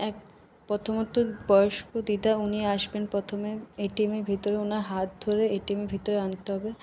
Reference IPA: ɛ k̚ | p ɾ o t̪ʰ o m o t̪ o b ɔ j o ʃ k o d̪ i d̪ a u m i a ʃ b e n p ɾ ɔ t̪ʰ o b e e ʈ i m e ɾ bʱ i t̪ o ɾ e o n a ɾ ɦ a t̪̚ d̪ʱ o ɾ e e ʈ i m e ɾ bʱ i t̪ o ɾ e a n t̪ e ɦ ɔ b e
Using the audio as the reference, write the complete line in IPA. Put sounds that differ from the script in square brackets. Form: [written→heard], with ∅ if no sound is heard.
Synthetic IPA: ɛ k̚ | p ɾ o t̪ʰ o m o t̪ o b ɔ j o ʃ k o d̪ i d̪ a u [m→n] i a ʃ b e n p ɾ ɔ t̪ʰ o [b→m] e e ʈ i m e ɾ bʱ i t̪ o ɾ e o n a ɾ ɦ a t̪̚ d̪ʱ o ɾ e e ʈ i m e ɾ bʱ i t̪ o ɾ e a n t̪ e ɦ ɔ b e